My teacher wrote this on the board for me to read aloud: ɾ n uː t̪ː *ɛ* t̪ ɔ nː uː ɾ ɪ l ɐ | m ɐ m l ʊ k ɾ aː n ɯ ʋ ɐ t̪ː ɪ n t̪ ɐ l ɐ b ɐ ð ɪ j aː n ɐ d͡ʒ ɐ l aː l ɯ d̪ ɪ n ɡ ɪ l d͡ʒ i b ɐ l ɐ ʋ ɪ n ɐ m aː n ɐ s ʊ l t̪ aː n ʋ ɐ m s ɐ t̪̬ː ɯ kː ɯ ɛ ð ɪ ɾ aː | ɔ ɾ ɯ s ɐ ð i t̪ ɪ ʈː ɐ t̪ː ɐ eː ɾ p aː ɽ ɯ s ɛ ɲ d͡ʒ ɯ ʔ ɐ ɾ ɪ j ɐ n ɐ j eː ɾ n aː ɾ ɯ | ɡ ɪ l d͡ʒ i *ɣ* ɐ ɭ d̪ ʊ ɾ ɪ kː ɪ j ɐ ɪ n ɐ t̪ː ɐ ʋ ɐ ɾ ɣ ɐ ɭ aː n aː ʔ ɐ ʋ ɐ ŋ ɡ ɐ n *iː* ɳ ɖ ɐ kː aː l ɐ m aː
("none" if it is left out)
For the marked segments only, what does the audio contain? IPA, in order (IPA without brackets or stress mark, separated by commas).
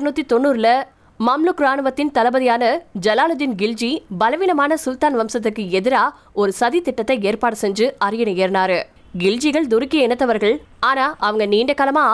i, ɣ, iː